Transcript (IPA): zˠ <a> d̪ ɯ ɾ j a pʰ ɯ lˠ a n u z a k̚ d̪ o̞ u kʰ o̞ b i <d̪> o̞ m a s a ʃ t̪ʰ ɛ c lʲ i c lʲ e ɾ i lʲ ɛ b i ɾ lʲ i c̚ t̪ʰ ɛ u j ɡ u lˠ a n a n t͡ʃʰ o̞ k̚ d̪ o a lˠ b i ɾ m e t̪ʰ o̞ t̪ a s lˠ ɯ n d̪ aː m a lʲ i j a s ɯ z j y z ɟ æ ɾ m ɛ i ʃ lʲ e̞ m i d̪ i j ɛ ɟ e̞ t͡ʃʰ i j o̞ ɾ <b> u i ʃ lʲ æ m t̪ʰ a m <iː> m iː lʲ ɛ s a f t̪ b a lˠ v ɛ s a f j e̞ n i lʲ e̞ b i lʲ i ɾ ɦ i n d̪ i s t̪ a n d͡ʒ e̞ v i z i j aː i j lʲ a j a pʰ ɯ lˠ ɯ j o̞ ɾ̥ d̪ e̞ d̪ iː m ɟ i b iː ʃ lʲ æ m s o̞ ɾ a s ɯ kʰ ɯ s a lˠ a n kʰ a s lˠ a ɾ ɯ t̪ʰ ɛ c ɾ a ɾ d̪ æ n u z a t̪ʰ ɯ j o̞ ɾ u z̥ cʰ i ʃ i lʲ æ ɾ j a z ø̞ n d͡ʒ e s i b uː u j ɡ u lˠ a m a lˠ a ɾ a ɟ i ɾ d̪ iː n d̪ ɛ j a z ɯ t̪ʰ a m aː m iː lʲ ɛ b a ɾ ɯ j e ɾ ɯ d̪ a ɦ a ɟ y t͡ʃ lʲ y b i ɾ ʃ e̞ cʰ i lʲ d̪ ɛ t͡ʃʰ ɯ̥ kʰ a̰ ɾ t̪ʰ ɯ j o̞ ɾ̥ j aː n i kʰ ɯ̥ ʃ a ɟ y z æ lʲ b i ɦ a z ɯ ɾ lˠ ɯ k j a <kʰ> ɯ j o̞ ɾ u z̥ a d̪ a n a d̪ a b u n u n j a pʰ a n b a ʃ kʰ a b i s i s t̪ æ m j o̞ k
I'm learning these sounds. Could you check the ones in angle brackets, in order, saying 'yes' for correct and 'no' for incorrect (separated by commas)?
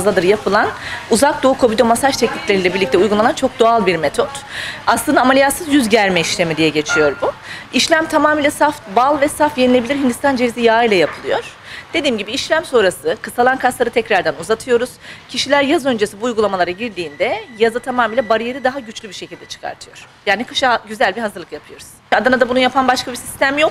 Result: yes, yes, yes, no, no